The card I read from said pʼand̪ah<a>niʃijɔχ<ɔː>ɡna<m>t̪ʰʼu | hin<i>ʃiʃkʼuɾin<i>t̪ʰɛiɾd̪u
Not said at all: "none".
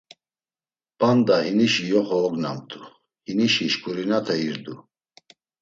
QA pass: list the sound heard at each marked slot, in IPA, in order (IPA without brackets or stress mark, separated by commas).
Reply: i, ɔː, m, i, a